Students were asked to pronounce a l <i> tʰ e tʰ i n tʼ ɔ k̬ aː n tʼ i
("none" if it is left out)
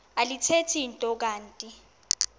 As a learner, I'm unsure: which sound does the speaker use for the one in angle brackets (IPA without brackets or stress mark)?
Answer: i